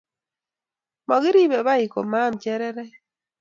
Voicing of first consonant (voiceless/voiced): voiced